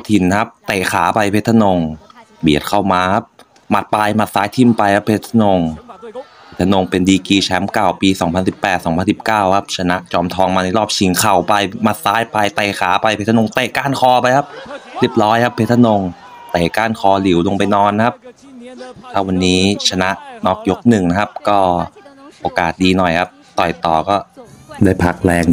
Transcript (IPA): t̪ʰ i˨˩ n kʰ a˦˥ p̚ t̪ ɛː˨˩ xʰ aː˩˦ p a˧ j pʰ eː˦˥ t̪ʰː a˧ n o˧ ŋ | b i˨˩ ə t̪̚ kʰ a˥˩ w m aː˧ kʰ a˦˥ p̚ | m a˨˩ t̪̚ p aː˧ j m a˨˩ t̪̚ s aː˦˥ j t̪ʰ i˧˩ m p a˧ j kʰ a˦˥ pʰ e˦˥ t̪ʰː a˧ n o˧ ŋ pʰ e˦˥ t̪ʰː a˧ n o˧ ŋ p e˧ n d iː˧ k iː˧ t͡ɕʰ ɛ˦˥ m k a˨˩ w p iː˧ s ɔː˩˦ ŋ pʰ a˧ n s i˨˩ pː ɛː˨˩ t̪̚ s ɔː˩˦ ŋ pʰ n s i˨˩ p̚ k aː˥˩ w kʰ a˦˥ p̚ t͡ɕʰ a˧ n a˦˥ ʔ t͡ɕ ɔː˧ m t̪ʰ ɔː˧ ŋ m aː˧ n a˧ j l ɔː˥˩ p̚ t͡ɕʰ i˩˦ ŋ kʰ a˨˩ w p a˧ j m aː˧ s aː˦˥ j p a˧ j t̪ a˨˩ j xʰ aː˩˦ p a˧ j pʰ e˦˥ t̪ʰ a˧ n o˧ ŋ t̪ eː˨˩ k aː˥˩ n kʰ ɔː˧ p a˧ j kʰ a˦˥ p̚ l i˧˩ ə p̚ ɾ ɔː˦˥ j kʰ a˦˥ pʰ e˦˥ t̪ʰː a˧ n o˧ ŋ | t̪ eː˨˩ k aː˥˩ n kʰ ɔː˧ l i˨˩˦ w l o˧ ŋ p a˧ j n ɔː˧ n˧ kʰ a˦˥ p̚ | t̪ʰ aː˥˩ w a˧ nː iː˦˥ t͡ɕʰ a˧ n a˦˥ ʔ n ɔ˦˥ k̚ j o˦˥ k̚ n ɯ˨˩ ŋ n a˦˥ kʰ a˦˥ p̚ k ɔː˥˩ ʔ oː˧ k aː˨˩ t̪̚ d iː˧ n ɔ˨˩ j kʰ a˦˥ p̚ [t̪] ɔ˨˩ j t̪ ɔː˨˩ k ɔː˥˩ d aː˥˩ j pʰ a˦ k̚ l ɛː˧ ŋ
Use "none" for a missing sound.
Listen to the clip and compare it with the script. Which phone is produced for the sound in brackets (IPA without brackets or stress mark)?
t̪